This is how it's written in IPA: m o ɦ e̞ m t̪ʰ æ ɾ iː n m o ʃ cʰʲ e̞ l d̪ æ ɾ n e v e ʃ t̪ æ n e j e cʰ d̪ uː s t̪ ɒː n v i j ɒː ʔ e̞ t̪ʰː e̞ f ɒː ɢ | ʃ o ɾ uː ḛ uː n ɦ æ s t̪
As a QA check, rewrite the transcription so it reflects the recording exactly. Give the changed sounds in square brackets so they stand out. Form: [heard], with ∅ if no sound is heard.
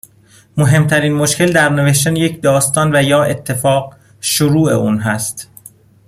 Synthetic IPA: m o ɦ e̞ m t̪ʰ æ ɾ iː n m o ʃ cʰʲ e̞ l d̪ æ ɾ n e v e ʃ t̪ æ n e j e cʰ d̪ [ɒː] s t̪ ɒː n v [æ] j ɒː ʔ e̞ t̪ʰː e̞ f ɒː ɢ | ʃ o ɾ uː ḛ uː n ɦ æ s t̪